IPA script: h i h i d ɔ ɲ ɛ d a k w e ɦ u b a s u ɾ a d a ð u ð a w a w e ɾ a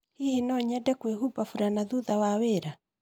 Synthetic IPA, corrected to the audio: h i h i n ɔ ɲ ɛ d ɛ k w e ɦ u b a f u ɾ a n a ð u ð a w a w e ɾ a